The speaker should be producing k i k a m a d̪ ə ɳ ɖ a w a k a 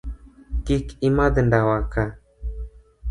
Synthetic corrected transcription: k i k i m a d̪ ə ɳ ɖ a w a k a